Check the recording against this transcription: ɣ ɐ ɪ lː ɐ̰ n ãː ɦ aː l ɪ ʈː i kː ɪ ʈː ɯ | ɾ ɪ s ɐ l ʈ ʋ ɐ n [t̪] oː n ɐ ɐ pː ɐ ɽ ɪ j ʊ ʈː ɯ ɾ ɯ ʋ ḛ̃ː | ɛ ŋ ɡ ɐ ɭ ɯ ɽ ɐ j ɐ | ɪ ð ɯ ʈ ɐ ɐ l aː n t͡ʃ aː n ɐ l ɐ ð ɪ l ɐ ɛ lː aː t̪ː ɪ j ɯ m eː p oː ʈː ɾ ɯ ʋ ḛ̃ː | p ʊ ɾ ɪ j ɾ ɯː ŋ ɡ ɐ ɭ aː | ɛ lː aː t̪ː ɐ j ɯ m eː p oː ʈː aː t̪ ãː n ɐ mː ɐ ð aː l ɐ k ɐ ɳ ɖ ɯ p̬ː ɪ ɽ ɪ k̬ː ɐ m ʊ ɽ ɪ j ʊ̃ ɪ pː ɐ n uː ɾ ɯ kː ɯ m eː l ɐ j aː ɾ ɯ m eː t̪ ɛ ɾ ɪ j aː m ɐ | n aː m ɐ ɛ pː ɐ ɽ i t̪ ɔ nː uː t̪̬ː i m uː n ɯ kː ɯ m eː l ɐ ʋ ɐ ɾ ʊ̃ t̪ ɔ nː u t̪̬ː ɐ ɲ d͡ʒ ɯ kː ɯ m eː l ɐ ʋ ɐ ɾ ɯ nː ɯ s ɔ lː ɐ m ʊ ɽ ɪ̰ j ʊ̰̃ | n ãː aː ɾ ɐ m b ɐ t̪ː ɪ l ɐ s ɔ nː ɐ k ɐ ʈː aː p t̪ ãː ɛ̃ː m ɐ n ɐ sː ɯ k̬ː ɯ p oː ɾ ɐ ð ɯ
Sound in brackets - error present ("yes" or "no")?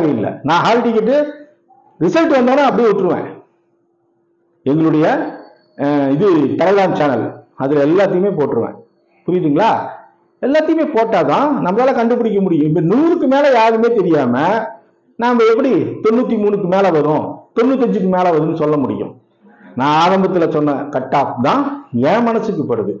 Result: yes